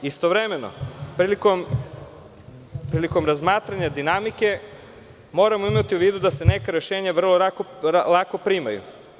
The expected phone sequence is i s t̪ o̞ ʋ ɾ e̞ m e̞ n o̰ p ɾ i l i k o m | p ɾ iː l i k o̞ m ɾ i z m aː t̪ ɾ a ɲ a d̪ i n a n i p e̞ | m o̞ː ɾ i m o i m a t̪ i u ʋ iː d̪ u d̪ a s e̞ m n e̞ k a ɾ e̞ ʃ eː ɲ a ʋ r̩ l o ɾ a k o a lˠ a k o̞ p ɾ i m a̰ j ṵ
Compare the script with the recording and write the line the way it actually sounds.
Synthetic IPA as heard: i s t̪ o̞ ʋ ɾ e̞ m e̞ n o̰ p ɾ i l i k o m | p ɾ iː l i k o̞ m ɾ a z m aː t̪ ɾ a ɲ a d̪ i n a m i k e̞ | m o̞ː ɾ a m o i m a t̪ i u ʋ iː d̪ u d̪ a s e̞ n e̞ k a ɾ e̞ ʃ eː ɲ a ʋ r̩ l o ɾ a k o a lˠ a k o̞ p ɾ i m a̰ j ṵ

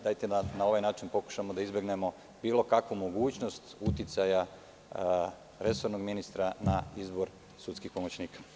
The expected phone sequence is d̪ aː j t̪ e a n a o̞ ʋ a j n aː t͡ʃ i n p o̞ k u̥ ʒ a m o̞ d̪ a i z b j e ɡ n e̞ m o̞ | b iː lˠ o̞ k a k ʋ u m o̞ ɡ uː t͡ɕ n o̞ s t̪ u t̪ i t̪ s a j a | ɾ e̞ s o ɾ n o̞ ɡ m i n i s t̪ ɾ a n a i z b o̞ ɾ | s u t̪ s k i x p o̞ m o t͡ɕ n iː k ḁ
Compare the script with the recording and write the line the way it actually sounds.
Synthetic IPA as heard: d̪ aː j t̪ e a n a o̞ ʋ a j n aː t͡ʃ i n p o̞ k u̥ ʃ a m o̞ d̪ a i z b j e ɡ n e̞ m o̞ | b iː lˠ o̞ k a k ʋ u m o̞ ɡ uː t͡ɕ n o̞ s t̪ u t̪ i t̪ s a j a | ɾ e̞ s o ɾ n o̞ ɡ m i n i s t̪ ɾ a n a i z b o̞ ɾ | s u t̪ s k i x p o̞ m o t͡ɕ n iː k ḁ

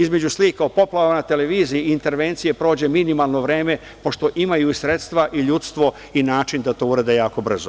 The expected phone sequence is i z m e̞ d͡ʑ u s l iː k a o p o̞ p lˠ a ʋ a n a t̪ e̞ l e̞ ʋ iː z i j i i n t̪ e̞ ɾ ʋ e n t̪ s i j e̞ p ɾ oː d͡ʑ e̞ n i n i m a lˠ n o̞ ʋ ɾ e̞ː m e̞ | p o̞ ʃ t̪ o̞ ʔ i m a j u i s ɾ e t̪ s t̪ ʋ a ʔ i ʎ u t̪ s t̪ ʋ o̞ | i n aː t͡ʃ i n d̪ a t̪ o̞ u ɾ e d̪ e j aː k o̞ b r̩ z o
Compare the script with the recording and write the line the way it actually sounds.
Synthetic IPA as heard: i z m e̞ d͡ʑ u s l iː k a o p o̞ p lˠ a ʋ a n a t̪ e̞ l e̞ ʋ iː z i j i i n t̪ e̞ ɾ ʋ e n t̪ s i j e̞ p ɾ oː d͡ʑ e̞ m i n i m a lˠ n o̞ ʋ ɾ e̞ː m e̞ | p o̞ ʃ t̪ o̞ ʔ i m a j u i s ɾ e t̪ s t̪ ʋ a ʔ i ʎ u t̪ s t̪ ʋ o̞ | i n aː t͡ʃ i n d̪ a t̪ o̞ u ɾ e d̪ e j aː k o̞ b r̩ z o

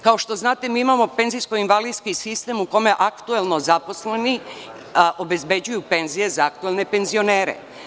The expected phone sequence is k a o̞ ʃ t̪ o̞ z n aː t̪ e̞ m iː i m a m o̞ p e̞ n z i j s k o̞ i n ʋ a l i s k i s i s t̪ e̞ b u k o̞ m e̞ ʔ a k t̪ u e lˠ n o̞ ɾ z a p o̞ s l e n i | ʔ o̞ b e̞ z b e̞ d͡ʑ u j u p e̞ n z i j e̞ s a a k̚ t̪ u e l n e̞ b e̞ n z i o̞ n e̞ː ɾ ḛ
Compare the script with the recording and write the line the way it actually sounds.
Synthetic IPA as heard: k a o̞ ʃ t̪ o̞ z n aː t̪ e̞ m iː i m a m o̞ p e̞ n z i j s k o̞ i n ʋ a l i s k i s i s t̪ e̞ m u k o̞ m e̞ ʔ a k t̪ u e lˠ n o̞ z a p o̞ s l e n i | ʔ o̞ b e̞ z b e̞ d͡ʑ u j u p e̞ n z i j e̞ z a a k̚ t̪ u e l n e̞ p e̞ n z i o̞ n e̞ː ɾ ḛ

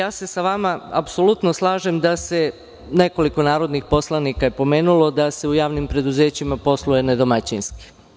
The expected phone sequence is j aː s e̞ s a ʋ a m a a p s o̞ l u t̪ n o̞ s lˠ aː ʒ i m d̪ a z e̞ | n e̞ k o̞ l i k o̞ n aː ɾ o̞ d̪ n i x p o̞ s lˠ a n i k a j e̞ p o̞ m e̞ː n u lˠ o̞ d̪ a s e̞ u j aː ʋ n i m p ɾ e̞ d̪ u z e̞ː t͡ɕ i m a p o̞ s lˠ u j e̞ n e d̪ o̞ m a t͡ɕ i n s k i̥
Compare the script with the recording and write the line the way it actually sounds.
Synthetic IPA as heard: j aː s e̞ s a ʋ a m a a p s o̞ l u t̪ n o̞ s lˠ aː ʒ e m d̪ a s e̞ | n e̞ k o̞ l i k o̞ n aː ɾ o̞ d̪ n i x p o̞ s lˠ a n i k a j e̞ p o̞ m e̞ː n u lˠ o̞ d̪ a s e̞ u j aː ʋ n i m p ɾ e̞ d̪ u z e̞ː t͡ɕ i m a p o̞ s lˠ u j e̞ n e d̪ o̞ m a t͡ɕ i n s k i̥

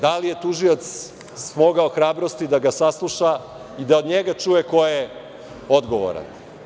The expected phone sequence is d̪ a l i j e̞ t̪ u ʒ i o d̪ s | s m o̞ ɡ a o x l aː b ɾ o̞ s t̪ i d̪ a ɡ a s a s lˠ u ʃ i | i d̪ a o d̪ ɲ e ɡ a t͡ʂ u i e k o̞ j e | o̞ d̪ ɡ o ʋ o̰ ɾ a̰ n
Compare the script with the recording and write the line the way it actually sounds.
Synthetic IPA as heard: d̪ a l i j e̞ t̪ u ʒ i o t̪ s | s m o̞ ɡ a o x ɾ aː b ɾ o̞ s t̪ i d̪ a ɡ a s a s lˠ u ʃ a | i d̪ a o d̪ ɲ e ɡ a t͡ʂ u j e k o̞ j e | o̞ d̪ ɡ o ʋ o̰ ɾ a̰ n

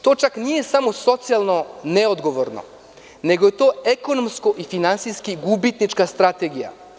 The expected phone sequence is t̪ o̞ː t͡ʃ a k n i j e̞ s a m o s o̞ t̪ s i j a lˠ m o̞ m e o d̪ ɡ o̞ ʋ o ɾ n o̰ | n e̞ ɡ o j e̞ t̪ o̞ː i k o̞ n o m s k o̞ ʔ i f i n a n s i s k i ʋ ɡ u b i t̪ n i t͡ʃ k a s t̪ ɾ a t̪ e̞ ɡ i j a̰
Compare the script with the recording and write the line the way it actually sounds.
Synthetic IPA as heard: t̪ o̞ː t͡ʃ a k n i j e̞ s a m o s o̞ t̪ s i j a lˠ n o̞ n e o d̪ ɡ o̞ ʋ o ɾ n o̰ | n e̞ ɡ o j e̞ t̪ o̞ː e k o̞ n o m s k o̞ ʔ i f i n a n s i s k i ɡ u b i t̪ n i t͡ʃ k a s t̪ ɾ a t̪ e̞ ɡ i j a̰

